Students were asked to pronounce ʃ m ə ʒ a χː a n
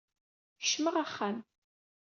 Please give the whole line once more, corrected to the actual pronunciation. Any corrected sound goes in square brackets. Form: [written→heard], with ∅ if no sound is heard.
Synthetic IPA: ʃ m ə [ʒ→ʁ] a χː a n